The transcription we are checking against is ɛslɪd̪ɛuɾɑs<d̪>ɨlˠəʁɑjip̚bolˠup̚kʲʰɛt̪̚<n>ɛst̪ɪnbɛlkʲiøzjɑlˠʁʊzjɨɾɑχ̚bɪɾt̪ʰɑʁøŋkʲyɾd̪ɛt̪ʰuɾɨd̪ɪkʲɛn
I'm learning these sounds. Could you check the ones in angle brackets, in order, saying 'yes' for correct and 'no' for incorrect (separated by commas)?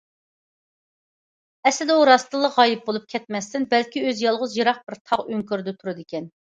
no, no